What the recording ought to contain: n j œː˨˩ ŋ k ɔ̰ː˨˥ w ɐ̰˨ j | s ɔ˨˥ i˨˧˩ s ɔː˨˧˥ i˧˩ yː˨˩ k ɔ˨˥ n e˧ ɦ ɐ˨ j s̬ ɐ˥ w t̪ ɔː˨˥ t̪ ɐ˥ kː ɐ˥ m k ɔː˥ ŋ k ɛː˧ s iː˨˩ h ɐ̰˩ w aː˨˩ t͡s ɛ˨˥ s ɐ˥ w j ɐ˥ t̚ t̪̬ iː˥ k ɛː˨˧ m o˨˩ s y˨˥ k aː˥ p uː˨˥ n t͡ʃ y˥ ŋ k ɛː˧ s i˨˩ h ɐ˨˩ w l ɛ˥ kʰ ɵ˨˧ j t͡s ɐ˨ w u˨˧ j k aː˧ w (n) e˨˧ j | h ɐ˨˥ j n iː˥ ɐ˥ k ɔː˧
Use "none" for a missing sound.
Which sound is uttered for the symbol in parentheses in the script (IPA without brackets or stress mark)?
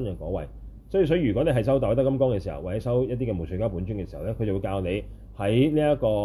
n